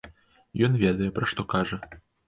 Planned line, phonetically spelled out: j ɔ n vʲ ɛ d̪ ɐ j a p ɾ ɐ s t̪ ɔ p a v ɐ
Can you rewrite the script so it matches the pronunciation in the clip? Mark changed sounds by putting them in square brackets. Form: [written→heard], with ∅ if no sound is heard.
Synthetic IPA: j ɔ n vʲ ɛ d̪ ɐ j [a→ɛ] p ɾ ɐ [s→ʂ] t̪ ɔ [p→k] a [v→ʐ] ɐ